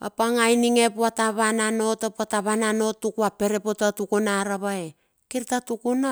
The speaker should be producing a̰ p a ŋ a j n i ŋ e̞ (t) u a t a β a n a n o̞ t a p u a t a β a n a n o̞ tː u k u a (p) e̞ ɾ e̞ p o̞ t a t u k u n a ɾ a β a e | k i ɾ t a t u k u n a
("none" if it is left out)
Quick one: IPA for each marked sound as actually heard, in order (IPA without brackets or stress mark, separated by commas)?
p, p